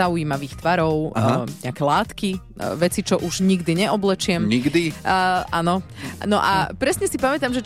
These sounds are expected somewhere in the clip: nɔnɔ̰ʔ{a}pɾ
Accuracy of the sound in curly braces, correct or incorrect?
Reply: correct